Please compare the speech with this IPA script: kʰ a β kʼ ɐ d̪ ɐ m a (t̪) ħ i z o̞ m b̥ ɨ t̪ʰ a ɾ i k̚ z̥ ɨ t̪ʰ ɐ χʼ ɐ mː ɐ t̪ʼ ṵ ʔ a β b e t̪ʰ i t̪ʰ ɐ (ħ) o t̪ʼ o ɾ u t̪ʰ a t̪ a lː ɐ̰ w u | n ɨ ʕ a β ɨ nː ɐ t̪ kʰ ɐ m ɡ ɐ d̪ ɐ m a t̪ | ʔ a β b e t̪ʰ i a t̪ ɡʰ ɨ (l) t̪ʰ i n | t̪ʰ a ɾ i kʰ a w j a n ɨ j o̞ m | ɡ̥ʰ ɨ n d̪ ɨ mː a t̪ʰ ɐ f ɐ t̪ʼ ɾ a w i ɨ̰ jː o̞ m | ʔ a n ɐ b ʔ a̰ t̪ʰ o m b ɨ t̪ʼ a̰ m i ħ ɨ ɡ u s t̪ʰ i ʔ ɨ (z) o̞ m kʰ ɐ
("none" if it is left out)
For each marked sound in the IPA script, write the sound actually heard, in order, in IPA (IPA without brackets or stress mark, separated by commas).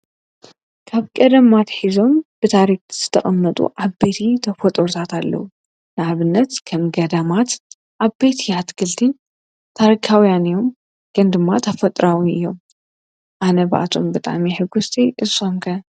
t̪, f, l, s